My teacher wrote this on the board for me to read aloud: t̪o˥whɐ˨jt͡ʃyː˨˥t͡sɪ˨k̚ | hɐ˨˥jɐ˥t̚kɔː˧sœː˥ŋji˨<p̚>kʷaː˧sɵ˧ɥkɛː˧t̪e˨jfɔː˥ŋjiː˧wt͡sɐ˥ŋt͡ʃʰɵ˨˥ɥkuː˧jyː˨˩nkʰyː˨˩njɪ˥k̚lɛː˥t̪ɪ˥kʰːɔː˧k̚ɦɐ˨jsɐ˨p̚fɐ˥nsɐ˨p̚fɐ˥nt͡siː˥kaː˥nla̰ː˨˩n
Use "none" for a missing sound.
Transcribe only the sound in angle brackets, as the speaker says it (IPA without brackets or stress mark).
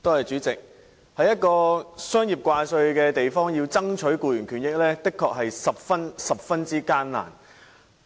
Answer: p̚